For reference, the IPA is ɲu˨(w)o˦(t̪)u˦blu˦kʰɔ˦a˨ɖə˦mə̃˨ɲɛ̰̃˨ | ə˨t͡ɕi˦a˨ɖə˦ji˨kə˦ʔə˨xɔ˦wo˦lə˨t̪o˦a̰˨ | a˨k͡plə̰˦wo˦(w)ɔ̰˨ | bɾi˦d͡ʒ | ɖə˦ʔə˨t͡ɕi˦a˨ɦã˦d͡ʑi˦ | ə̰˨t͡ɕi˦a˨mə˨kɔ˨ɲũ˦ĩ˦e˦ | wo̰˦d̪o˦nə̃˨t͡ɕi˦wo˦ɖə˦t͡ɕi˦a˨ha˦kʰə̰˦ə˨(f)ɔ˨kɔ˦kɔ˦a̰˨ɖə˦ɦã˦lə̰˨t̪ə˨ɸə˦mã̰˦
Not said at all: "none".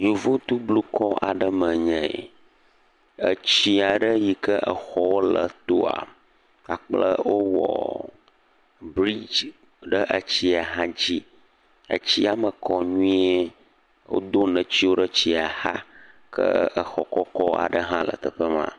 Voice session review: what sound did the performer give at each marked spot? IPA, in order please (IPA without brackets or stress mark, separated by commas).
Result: v, t̪, w, x